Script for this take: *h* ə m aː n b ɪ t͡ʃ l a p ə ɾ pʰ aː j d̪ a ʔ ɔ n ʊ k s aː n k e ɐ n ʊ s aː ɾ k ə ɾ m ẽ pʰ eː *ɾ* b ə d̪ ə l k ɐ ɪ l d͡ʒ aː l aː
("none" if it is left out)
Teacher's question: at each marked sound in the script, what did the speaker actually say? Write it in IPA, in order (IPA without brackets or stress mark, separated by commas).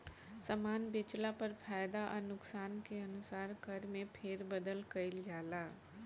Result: s, ɾ